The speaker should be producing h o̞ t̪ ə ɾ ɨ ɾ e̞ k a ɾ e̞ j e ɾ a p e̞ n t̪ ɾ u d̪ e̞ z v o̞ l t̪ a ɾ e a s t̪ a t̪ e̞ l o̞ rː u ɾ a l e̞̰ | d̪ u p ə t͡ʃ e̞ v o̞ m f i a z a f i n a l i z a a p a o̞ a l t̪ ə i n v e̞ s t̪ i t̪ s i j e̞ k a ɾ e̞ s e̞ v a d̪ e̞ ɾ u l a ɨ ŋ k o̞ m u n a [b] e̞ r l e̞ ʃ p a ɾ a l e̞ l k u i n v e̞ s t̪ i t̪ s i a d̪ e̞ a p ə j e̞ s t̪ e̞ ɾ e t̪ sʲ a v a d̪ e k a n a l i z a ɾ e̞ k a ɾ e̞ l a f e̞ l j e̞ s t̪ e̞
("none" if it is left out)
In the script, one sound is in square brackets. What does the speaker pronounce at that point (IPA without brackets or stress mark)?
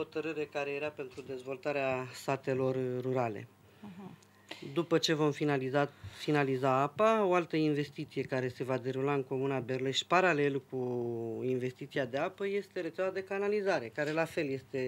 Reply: b